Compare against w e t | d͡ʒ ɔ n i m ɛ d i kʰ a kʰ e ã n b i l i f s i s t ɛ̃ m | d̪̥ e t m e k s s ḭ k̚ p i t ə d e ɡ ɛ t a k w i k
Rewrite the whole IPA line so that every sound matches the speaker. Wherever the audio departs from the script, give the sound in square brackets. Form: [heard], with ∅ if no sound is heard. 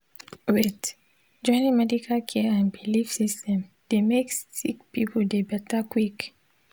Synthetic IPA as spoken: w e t | d͡ʒ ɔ n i m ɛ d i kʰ a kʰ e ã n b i l i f s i s t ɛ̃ m | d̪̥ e [∅] m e k s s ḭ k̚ p i [p] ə d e [b] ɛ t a k w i k